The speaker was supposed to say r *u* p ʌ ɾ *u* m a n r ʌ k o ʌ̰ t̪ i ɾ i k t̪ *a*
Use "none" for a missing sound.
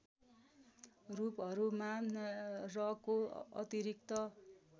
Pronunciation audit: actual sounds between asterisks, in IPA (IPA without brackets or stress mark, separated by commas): u, u, ʌ